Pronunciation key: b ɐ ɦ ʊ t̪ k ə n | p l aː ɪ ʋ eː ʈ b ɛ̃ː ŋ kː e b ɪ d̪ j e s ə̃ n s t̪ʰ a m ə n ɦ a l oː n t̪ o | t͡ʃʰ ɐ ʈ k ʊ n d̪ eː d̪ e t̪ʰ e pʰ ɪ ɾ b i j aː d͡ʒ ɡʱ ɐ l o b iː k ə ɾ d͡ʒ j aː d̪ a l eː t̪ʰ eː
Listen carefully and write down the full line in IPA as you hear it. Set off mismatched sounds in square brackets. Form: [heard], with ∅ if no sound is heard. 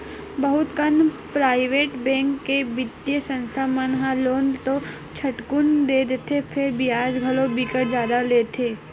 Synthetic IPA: b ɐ ɦ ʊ t̪ k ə n | p [ɾ] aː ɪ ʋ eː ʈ b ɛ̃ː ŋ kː e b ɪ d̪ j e s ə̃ n s t̪ʰ a m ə n ɦ a l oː n t̪ o | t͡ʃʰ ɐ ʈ k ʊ n d̪ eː d̪ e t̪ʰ e pʰ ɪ ɾ b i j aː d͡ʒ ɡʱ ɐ l o b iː k ə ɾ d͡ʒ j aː d̪ a l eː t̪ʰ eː